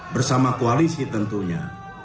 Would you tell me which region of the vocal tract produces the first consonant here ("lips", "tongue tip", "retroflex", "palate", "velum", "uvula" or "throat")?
lips